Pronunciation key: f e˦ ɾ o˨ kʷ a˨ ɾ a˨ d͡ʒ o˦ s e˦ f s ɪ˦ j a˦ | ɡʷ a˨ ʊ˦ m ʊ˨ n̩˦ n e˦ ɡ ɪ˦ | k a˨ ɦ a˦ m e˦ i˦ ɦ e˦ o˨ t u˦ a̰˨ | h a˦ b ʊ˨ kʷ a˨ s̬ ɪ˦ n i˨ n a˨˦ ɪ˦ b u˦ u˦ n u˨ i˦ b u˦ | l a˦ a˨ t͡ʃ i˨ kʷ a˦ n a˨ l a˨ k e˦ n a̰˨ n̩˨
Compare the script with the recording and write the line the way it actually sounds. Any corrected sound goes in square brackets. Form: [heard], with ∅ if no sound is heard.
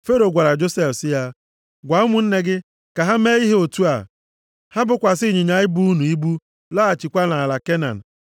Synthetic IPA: f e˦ ɾ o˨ [ɡʷ] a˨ ɾ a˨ d͡ʒ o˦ s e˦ f s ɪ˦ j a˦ | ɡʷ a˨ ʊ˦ m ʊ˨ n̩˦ n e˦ ɡ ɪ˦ | k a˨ ɦ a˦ m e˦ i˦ ɦ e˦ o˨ t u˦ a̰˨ | h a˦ b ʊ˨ kʷ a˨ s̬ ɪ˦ [ɲ] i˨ [ɲ] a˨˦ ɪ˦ b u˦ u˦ n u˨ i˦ b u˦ | l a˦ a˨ t͡ʃ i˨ kʷ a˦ n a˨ l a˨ k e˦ n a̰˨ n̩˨